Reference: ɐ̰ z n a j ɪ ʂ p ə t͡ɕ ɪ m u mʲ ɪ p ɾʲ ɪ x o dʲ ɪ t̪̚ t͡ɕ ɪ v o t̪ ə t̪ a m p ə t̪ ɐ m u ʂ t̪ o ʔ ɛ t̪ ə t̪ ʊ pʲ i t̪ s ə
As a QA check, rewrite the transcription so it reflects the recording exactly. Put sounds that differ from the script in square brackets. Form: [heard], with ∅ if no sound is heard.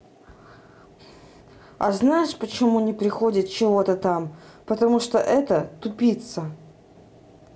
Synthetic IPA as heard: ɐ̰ z n a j ɪ ʂ p ə t͡ɕ ɪ m u [nʲ] ɪ p ɾʲ ɪ x o dʲ ɪ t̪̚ t͡ɕ ɪ v o t̪ ə t̪ a m p ə t̪ ɐ m u ʂ t̪ o ʔ ɛ t̪ ə t̪ ʊ pʲ i t̪ s ə